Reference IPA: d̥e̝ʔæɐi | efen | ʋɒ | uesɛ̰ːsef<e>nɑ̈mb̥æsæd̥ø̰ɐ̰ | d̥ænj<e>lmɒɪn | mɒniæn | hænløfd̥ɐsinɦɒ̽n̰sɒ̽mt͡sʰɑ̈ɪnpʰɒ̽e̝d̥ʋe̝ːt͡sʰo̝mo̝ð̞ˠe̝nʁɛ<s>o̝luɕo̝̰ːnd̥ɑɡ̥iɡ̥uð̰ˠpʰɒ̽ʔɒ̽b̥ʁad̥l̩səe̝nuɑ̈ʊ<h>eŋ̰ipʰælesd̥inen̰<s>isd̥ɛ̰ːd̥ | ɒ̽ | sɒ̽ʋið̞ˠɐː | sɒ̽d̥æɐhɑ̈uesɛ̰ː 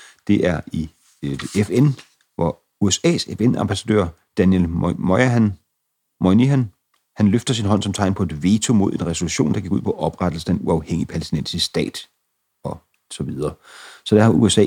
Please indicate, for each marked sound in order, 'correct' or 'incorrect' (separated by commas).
correct, correct, correct, correct, correct